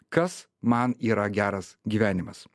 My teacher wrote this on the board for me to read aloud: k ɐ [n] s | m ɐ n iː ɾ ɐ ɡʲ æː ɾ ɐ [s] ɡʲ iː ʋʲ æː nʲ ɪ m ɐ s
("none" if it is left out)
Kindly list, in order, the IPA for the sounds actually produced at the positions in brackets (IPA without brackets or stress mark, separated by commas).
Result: none, s